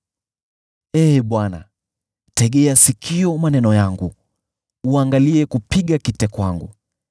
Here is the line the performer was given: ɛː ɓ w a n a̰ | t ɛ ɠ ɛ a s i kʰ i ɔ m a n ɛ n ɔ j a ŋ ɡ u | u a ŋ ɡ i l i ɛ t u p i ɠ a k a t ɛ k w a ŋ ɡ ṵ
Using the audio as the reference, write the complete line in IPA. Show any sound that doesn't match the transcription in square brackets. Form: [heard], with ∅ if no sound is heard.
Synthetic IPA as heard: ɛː ɓ w a n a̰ | t ɛ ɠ ɛ a s i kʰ i ɔ m a n ɛ n ɔ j a ŋ ɡ u | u a ŋ ɡ [a] l i ɛ [k] u p i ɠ a k [i] t ɛ k w a ŋ ɡ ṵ